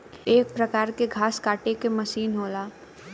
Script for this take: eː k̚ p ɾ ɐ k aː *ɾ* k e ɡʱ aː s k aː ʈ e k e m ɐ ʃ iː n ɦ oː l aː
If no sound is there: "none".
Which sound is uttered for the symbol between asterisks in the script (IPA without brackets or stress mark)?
ɾ